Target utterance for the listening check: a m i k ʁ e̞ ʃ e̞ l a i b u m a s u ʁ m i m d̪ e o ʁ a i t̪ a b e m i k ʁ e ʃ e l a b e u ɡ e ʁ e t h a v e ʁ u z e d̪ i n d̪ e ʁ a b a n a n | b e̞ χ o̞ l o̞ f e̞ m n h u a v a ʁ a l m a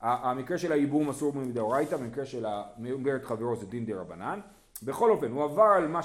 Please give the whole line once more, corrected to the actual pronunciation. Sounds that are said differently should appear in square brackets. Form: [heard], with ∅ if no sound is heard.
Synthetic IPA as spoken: a m i k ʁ e̞ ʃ e̞ l a i b u m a s u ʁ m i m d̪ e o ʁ a [j] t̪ a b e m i k ʁ e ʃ e l a [m] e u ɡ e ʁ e t [χ] a v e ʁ [o] z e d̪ i n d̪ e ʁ a b a n a n | b e̞ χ o̞ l o̞ f e̞ [∅] n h u a v a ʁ a l m a